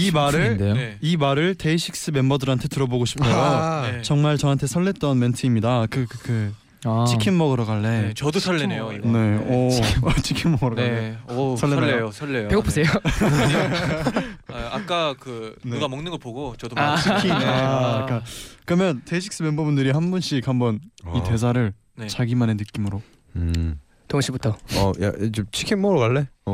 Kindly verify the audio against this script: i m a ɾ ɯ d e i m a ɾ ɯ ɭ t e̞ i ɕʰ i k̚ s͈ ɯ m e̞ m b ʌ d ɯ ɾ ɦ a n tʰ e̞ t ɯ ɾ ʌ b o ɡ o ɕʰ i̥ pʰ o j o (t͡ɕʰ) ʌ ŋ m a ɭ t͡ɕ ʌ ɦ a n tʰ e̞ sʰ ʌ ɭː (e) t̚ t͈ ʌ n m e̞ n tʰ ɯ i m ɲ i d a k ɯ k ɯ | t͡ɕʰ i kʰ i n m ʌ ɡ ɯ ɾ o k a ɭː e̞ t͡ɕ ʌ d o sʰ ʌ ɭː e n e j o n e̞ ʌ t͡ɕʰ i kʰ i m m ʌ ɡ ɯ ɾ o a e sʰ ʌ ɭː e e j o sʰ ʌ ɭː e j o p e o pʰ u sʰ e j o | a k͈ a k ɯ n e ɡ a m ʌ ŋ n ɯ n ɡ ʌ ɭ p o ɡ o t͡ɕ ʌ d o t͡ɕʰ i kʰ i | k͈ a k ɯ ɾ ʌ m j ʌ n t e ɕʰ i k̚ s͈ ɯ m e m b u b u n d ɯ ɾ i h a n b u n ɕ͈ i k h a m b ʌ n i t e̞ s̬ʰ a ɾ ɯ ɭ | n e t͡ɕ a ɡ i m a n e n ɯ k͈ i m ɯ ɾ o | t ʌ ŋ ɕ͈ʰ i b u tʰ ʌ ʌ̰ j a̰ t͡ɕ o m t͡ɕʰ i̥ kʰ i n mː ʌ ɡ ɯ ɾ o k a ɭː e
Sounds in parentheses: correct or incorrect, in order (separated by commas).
incorrect, correct